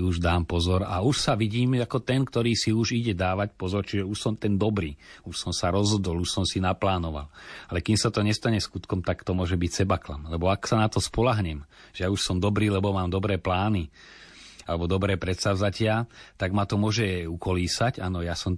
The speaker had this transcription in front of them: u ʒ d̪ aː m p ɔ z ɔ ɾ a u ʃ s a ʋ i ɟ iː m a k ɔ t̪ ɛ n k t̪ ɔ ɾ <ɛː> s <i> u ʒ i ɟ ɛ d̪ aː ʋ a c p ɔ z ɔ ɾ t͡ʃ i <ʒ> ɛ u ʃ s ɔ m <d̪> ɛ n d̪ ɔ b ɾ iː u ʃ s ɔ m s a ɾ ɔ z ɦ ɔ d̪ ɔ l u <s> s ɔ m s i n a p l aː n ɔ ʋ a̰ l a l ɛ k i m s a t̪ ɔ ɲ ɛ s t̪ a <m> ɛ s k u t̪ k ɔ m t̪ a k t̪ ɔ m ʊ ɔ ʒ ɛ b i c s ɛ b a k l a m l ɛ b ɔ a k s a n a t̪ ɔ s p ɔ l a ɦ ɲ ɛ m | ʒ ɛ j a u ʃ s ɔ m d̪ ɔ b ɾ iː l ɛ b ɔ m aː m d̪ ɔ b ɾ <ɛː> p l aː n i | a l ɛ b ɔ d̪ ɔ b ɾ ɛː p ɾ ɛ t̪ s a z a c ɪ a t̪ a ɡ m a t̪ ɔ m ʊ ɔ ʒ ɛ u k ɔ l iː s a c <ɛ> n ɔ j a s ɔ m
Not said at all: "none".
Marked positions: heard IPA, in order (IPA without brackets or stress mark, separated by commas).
iː, i, ʒ, t̪, ʃ, ɲ, ɛː, a